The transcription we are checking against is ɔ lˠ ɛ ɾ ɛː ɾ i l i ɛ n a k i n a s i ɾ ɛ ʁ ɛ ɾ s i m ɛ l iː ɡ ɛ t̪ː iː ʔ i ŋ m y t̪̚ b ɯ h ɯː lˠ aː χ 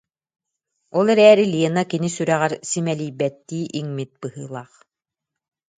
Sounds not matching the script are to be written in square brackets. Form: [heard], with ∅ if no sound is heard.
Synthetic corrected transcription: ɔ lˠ ɛ ɾ ɛː ɾ i l i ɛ n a k i n [i] s [y] ɾ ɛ ʁ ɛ ɾ s i m ɛ l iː [b] ɛ t̪ː iː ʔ i ŋ m [i] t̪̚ b ɯ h ɯː lˠ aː χ